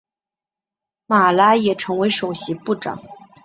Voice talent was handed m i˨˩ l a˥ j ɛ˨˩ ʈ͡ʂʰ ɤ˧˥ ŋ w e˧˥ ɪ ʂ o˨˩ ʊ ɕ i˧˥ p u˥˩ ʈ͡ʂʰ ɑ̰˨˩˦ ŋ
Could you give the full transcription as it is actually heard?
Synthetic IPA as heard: m a˨˩ l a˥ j ɛ˨˩ ʈ͡ʂʰ ɤ˧˥ ŋ w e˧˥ ɪ ʂ o˨˩ ʊ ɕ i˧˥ p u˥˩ ʈ͡ʂ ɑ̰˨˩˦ ŋ